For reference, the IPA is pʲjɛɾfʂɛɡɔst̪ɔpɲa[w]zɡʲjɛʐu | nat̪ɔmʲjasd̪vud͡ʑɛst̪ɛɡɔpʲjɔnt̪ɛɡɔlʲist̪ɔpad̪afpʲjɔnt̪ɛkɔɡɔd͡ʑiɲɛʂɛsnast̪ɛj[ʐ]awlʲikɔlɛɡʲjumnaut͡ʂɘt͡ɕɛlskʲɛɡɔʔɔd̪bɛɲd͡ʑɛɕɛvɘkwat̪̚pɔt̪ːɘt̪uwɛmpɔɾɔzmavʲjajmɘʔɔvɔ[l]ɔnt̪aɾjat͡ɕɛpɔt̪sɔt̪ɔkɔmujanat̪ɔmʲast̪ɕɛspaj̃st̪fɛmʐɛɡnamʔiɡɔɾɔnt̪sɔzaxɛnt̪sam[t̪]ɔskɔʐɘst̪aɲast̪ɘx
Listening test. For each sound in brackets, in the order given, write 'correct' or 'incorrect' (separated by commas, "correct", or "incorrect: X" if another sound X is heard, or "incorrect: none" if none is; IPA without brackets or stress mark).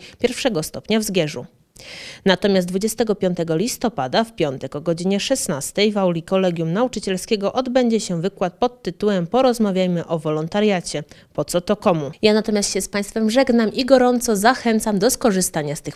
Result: incorrect: v, incorrect: v, correct, incorrect: d̪